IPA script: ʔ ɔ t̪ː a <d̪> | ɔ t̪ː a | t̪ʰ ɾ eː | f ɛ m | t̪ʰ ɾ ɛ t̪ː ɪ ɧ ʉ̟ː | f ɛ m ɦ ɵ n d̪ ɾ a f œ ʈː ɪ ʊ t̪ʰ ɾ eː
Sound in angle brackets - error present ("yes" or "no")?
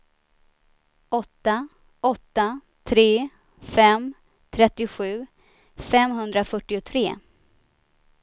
yes